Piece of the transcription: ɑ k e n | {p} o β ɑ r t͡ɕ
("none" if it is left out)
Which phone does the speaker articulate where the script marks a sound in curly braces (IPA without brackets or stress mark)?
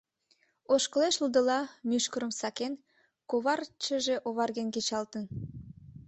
k